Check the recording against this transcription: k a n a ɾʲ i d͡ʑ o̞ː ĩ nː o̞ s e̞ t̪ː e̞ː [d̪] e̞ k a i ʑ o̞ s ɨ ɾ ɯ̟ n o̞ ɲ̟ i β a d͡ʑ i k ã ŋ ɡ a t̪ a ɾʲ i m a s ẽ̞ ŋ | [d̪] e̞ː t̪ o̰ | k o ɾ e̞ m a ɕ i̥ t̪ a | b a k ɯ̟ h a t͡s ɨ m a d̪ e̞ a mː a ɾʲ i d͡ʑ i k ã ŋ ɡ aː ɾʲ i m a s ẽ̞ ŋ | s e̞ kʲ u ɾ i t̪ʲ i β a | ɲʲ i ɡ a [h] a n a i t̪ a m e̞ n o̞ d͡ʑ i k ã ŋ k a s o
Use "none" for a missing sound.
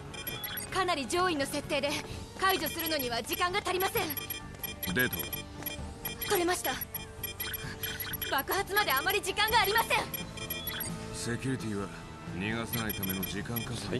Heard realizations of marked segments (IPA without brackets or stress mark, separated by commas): d̪, d̪, s